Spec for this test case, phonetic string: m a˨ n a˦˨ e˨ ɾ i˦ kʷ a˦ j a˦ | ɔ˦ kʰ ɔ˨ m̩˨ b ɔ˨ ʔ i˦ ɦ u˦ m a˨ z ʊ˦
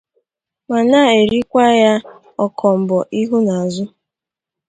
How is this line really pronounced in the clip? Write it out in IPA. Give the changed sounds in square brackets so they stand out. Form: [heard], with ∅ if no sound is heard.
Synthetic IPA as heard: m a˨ n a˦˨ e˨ ɾ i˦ kʷ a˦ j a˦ | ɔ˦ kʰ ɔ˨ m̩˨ b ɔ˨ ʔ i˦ ɦ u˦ [n] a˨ z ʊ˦